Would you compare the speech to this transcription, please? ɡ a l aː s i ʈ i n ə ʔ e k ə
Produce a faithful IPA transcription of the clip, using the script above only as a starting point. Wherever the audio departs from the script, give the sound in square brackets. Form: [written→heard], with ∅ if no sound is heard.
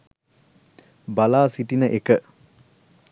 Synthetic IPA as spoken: [ɡ→b] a l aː s i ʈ i n ə ʔ e k ə